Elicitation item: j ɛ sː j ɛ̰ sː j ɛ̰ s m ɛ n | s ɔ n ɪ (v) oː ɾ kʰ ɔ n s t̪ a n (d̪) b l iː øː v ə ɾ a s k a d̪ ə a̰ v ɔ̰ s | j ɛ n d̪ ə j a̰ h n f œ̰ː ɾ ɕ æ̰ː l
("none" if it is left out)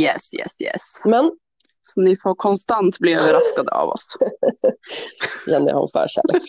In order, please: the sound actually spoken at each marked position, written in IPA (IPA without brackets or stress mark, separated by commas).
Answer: f, t̪